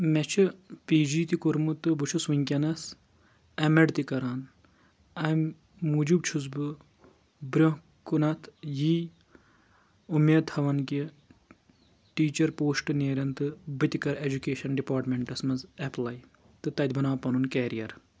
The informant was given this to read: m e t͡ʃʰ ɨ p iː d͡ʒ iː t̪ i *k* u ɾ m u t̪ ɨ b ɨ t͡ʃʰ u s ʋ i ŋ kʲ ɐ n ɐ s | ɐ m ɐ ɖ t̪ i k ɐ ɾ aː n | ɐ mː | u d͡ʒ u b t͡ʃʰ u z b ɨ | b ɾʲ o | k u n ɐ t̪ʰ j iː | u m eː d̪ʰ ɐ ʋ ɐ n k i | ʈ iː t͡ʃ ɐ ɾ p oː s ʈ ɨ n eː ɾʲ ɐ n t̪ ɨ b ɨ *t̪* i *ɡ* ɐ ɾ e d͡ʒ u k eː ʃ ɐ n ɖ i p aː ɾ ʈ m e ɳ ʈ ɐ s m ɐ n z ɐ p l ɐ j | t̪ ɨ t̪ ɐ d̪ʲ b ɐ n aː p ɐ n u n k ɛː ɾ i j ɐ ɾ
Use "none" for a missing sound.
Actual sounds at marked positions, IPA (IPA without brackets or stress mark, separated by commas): k, t̪, k